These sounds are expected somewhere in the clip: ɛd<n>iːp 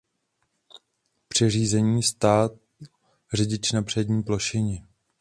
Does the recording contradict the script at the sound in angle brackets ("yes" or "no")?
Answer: yes